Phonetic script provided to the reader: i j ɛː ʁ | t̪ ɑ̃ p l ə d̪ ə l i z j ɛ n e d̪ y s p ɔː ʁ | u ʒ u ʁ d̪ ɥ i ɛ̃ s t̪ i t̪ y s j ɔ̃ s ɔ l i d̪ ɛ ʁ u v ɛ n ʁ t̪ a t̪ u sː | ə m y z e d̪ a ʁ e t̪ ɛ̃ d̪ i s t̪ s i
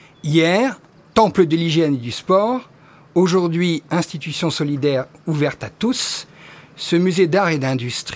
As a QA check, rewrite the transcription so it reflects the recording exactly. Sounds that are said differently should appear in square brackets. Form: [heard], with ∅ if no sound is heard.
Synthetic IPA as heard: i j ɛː ʁ | t̪ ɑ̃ p l ə d̪ ə l i [ʒ] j ɛ n e d̪ y s p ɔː ʁ | [o] ʒ u ʁ d̪ ɥ i ɛ̃ s t̪ i t̪ y s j ɔ̃ s ɔ l i d̪ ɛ ʁ u v ɛ [∅] ʁ t̪ a t̪ u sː | ə m y z e d̪ a ʁ e [d̪] ɛ̃ d̪ [y] s t̪ [χ] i